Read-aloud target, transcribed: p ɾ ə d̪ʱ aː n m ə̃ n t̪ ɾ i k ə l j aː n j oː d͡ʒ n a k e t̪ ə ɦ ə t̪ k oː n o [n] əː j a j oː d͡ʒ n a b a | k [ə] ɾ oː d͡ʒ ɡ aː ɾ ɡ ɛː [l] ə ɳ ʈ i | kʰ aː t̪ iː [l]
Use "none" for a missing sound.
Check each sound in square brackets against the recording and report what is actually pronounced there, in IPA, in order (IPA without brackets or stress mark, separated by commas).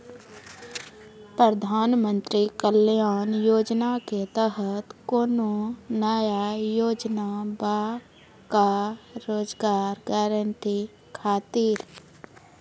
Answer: n, a, ɾ, ɾ